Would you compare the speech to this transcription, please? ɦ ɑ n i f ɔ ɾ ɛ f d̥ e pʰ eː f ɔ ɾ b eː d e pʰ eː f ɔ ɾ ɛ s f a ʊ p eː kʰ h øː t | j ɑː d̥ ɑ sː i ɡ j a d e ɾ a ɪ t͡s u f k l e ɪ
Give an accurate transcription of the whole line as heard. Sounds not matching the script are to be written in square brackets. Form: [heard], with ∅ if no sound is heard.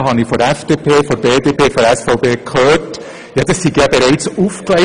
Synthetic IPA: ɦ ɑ n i f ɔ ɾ ɛ f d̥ e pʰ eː f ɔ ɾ b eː d e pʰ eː f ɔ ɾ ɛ s f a ʊ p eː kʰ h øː t | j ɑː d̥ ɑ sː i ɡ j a [b] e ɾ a ɪ t͡s u f k l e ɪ